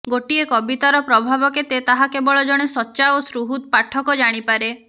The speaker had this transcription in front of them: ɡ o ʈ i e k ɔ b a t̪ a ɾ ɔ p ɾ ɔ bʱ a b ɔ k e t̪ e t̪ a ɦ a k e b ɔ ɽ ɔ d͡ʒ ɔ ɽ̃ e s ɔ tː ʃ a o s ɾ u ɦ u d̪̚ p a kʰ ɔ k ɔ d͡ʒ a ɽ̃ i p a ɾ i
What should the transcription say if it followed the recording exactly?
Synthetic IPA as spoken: ɡ o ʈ i e k ɔ b i t̪ a ɾ ɔ p ɾ ɔ bʱ a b ɔ k e t̪ e t̪ a ɦ a k e b ɔ ɭ ɔ d͡ʒ ɔ ɽ̃ e s ɔ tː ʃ a o s ɾ u ɦ u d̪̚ p a ʈʰ ɔ k ɔ d͡ʒ a ɽ̃ i p a ɾ e